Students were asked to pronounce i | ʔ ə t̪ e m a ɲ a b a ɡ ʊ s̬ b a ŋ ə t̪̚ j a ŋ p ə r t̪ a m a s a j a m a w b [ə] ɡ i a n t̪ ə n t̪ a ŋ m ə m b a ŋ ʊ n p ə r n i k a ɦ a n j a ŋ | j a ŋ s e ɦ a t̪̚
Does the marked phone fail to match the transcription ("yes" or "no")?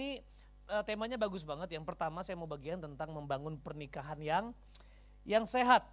yes